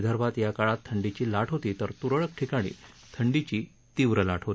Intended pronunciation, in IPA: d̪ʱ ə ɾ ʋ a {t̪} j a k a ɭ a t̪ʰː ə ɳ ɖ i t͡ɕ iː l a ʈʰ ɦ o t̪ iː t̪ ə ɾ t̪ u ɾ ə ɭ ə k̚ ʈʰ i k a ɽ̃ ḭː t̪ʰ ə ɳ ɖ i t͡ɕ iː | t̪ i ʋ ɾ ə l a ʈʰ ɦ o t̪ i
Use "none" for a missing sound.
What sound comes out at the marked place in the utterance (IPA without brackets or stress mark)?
t̪